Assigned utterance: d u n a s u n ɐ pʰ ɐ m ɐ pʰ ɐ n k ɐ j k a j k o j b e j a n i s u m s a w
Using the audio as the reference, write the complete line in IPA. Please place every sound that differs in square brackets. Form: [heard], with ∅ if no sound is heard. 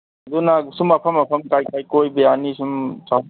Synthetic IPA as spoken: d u n a s u [m] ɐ pʰ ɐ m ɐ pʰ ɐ [m] k [a] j k a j k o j b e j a n i s u m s a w

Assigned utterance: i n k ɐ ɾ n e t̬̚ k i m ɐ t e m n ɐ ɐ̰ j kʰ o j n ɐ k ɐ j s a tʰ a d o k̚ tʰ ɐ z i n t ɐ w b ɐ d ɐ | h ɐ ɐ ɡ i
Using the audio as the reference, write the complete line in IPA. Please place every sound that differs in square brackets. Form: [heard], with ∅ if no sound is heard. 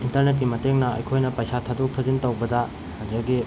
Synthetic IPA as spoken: i n [t] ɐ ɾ n e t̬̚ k i m ɐ t e [ŋ] n ɐ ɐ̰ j kʰ o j n ɐ [p] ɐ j s a tʰ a d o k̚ tʰ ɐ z i n t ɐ w b ɐ d ɐ | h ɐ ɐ ɡ i

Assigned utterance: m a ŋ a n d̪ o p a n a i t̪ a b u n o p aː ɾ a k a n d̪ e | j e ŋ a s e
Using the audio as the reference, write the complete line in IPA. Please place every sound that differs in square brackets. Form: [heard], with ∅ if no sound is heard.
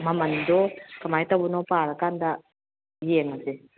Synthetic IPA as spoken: m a [m] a n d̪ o [k] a [m] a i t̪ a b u n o p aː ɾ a k a n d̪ [a] | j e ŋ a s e

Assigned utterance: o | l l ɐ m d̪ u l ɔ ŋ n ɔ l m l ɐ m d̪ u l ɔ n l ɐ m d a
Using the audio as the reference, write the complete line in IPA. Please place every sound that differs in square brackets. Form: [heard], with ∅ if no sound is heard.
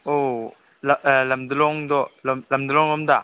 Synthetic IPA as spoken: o | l l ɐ m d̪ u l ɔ ŋ [d] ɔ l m l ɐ m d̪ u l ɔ [ŋ] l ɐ m d a

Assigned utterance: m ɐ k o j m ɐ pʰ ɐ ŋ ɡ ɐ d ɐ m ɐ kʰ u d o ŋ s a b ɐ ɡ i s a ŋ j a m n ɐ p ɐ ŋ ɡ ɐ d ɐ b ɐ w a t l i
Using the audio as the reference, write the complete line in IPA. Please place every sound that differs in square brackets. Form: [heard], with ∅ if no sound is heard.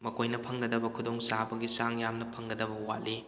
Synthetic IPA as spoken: m ɐ k o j [n] ɐ pʰ ɐ ŋ ɡ ɐ d ɐ [b] ɐ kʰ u d o ŋ s a b ɐ ɡ i s a ŋ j a m n ɐ [pʰ] ɐ ŋ ɡ ɐ d ɐ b ɐ w a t l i

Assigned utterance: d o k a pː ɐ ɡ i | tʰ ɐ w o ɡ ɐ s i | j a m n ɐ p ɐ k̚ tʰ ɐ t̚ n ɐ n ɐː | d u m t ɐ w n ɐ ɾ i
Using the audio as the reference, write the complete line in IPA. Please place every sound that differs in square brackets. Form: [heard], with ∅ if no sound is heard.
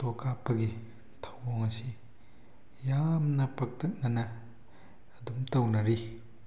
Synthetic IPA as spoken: [t] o k a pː ɐ ɡ i | tʰ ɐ w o [ŋ] ɐ s i | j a m n ɐ p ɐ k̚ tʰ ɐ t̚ n ɐ n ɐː | d u m t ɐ w n ɐ ɾ i

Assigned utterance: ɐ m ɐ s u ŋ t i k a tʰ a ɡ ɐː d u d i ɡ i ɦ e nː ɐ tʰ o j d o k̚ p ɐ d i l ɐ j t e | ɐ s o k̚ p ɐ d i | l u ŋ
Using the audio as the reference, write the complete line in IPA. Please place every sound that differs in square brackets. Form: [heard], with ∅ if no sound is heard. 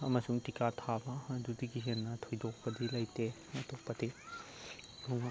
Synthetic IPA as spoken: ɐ m ɐ s u ŋ t i k a tʰ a [b] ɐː d u d i ɡ i ɦ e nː ɐ tʰ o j d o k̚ p ɐ d i l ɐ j t e | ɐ [t] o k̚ p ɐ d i | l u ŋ

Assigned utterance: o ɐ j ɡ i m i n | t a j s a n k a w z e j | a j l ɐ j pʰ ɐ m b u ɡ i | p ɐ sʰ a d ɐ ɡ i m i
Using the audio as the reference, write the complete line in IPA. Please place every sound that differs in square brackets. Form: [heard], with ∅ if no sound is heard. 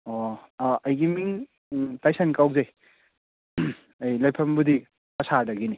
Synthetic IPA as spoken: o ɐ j ɡ i m i [ŋ] | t a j s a n k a w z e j | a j l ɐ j pʰ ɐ m b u [d] i | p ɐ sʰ a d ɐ ɡ i [n] i

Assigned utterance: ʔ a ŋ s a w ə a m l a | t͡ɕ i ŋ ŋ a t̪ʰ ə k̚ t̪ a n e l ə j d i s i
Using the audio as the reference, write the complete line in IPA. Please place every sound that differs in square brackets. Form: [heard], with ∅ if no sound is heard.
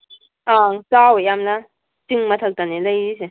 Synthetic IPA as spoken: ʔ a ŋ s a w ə a m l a | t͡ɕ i ŋ [m] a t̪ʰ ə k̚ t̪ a n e l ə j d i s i

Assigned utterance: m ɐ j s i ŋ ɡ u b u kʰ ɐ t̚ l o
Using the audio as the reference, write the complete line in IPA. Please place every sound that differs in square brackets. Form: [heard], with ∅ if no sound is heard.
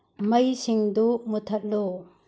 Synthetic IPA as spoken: m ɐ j s i ŋ [d] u [m] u [tʰ] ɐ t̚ l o

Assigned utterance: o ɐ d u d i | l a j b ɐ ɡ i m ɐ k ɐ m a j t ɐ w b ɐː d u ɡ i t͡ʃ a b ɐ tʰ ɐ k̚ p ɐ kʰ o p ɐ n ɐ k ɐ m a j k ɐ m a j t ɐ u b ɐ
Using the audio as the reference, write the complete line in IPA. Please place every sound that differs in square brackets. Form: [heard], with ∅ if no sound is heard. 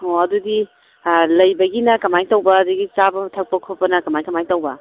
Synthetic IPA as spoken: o ɐ d u d i | l [ɐ] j b ɐ ɡ i [n] ɐ k ɐ m a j t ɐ w b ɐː d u ɡ i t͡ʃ a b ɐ tʰ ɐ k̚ p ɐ kʰ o p ɐ n ɐ k ɐ m a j k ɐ m a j t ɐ [w] b ɐ

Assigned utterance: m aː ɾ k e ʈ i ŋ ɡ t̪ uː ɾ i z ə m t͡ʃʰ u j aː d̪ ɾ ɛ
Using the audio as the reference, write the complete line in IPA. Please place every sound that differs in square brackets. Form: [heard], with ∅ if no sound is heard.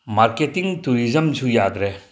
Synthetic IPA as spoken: m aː ɾ k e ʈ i ŋ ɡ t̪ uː ɾ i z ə m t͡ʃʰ u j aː d̪ ɾ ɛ

